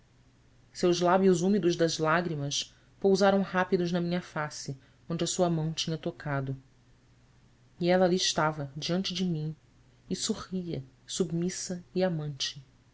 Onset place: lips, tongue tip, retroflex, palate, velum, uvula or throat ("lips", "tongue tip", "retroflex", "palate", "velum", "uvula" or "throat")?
tongue tip